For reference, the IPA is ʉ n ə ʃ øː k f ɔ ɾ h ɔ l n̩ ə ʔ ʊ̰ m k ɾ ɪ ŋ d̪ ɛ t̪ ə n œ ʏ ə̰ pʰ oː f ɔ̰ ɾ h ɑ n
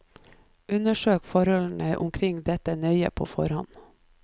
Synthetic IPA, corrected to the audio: ʉ n ə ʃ øː k f ɔ ɾ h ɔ l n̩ ə ʔ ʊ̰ m kʰ ɾ ɪ ŋ d̪ ɛ t̪ ə n œ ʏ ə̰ pʰ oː f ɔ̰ ɾ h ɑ n